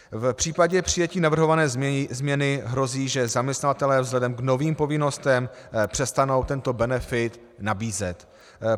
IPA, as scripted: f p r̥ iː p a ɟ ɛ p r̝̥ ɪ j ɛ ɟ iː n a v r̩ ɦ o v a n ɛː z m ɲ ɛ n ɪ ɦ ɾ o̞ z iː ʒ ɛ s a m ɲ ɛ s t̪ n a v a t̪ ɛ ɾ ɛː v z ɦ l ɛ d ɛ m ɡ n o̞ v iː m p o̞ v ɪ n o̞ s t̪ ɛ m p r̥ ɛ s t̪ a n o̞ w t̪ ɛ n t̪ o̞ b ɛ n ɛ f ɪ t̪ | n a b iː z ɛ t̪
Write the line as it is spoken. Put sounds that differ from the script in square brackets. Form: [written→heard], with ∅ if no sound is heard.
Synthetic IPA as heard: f p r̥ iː p a ɟ ɛ p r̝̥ ɪ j ɛ [ɟ→c] iː n a v r̩ ɦ o v a n ɛː z m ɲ ɛ n ɪ ɦ ɾ o̞ z iː ʒ ɛ [s→z] a m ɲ ɛ s t̪ n a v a t̪ ɛ [ɾ→l] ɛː v z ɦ l ɛ d ɛ m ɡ n o̞ v iː m p o̞ v ɪ n o̞ s t̪ ɛ m p r̥ ɛ s t̪ a n o̞ w t̪ ɛ n t̪ o̞ b ɛ n ɛ f ɪ t̪ | n a b iː z ɛ t̪